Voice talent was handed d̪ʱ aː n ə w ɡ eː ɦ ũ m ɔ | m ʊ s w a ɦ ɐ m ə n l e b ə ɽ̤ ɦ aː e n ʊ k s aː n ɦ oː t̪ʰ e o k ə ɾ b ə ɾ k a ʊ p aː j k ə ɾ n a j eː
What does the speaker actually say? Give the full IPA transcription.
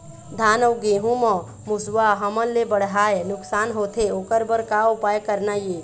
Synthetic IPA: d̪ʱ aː n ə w ɡ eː ɦ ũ m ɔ | m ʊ s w a ɦ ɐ m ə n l e b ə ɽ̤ ɦ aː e n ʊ k s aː n ɦ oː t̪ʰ e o k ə ɾ b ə ɾ k a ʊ p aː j k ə ɾ n a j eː